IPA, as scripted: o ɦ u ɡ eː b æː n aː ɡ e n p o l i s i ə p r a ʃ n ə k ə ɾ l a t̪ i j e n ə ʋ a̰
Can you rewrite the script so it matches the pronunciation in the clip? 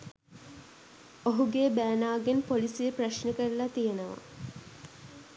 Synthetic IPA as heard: o ɦ u ɡ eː b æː n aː ɡ e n p o l i s i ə p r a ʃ n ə k ə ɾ l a t̪ i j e n ə ʋ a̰